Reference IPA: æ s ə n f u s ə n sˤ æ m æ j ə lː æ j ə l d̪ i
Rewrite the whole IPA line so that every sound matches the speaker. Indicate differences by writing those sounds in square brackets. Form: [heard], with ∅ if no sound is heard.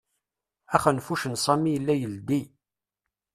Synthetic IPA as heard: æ [χ] ə n f u [ʃ] ə n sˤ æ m [i] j ə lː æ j ə l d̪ i